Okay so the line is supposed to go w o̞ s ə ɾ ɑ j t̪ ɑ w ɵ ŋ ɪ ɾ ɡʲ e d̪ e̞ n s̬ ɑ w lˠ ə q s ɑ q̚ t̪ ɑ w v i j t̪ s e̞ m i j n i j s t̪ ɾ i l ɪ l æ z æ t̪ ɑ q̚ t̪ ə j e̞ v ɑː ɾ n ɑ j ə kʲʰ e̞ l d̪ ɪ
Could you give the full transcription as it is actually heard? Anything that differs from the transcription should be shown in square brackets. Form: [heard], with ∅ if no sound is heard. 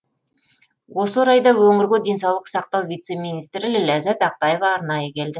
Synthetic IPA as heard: w o̞ s ə ɾ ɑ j [d̪] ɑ w ɵ ŋ ɪ ɾ ɡʲ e d̪ e̞ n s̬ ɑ w lˠ ə q s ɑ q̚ t̪ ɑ w v i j t̪ s e̞ m i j n i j s t̪ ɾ [ɪ] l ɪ l æ z æ t̪ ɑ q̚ t̪ [ɑ] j e̞ v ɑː ɾ n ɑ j ə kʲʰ e̞ l d̪ ɪ